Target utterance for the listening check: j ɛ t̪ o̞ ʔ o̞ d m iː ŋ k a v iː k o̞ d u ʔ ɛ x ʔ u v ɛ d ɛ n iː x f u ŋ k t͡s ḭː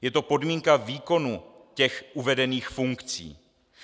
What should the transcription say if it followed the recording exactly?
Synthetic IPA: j ɛ t̪ o̞ p o̞ d m iː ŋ k a v iː k o̞ n u c ɛ x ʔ u v ɛ d ɛ n iː x f u ŋ k t͡s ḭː